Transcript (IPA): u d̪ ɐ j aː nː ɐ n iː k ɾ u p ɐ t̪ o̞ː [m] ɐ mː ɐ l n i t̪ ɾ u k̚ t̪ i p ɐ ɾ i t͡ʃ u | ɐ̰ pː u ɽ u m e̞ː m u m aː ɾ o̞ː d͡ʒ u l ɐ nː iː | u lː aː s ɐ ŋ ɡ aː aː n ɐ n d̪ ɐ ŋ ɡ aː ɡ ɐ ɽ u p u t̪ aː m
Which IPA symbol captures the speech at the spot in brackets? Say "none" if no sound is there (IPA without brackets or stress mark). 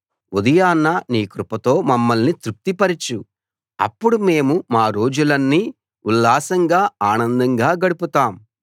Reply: m